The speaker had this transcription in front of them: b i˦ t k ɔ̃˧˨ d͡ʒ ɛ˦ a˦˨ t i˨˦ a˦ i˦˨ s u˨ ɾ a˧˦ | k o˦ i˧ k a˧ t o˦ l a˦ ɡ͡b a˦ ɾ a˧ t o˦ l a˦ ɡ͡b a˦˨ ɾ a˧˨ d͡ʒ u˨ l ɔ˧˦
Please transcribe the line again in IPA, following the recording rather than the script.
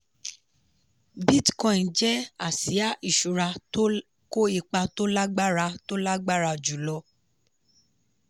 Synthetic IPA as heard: b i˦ t k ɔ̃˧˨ d͡ʒ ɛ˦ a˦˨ s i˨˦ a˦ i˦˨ ʃ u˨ ɾ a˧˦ | k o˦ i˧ k͡p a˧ t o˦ l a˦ ɡ͡b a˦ ɾ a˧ t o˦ l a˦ ɡ͡b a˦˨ ɾ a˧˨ d͡ʒ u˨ l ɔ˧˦